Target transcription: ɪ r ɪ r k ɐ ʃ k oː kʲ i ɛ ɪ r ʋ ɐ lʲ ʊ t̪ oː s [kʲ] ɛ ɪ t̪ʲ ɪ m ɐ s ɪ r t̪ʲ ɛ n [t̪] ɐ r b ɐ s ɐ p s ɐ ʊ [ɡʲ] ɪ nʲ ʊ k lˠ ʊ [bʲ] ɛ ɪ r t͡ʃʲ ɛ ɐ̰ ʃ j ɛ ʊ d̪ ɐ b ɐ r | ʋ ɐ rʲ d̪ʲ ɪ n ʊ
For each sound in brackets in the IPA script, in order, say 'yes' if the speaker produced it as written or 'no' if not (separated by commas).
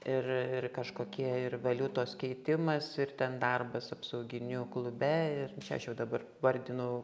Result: yes, no, yes, yes